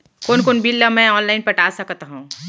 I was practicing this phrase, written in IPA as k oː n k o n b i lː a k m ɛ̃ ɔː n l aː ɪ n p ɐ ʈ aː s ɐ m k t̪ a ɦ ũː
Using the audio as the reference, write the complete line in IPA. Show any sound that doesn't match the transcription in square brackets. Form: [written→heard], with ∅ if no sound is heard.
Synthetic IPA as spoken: k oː n k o n b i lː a [k→∅] m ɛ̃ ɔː n l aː ɪ n p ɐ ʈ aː s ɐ [m→∅] k t̪ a ɦ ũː